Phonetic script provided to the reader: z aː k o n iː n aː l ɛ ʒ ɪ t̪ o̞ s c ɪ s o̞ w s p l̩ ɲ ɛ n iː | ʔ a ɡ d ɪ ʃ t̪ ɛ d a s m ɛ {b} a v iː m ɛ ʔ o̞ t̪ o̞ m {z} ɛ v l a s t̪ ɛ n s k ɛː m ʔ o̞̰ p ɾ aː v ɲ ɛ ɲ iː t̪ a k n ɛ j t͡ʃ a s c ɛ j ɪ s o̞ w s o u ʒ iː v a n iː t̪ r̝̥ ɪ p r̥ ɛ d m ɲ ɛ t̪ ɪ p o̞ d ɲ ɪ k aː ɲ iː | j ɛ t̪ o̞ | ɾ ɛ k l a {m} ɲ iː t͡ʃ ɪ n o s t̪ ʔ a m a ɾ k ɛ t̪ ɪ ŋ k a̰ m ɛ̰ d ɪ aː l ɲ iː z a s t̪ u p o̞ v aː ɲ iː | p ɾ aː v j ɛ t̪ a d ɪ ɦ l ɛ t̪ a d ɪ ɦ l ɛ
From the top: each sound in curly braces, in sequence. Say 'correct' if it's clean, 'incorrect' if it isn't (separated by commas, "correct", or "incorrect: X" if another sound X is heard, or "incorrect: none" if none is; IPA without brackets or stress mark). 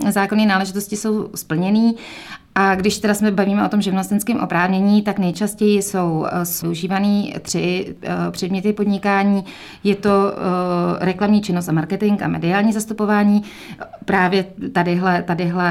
correct, incorrect: ʒ, correct